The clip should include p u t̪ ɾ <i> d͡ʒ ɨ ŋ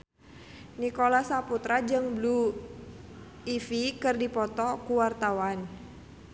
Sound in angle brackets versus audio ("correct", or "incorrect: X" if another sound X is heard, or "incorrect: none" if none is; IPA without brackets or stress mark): incorrect: a